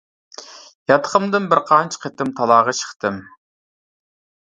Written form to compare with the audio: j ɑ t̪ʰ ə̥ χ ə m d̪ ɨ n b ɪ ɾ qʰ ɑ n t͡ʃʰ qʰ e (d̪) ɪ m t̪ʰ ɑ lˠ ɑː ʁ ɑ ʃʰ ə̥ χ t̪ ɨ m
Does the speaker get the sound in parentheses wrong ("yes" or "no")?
yes